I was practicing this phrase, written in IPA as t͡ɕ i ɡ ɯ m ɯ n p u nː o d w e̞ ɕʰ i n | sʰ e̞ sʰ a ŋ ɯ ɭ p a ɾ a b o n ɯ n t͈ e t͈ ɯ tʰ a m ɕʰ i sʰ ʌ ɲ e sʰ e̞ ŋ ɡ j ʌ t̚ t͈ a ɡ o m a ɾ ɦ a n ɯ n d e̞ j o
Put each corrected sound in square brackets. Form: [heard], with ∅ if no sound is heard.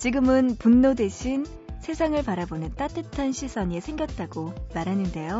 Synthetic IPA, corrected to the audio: t͡ɕ i ɡ ɯ m ɯ n p u nː o d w e̞ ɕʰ i n | sʰ e̞ sʰ a ŋ ɯ ɭ p a ɾ a b o n ɯ n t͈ [a] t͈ ɯ tʰ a [n] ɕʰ i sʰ ʌ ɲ e sʰ e̞ ŋ ɡ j ʌ t̚ t͈ a ɡ o m a ɾ ɦ a n ɯ n d e̞ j o